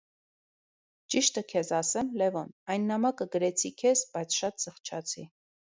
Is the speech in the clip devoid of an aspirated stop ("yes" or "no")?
no